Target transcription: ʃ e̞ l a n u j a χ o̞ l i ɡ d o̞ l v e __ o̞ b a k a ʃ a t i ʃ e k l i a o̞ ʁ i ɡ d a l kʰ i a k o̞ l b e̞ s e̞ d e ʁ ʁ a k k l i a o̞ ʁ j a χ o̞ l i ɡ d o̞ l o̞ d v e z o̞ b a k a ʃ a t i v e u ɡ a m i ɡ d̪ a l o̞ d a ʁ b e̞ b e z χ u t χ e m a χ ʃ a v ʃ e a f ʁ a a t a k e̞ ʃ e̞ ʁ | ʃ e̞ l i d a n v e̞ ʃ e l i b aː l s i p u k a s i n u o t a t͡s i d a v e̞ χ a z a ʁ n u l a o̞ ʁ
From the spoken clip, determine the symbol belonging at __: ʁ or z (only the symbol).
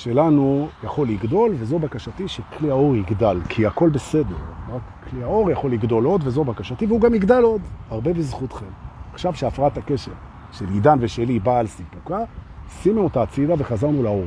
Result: z